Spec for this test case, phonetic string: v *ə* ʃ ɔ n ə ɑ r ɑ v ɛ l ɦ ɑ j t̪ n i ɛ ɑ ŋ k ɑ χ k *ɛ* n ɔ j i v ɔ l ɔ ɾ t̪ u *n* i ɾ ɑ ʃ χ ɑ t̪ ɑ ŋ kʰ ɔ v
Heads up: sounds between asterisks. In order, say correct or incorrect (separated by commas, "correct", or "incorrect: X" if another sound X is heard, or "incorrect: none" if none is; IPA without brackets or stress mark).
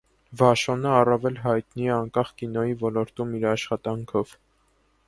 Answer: incorrect: ɑ, incorrect: i, incorrect: m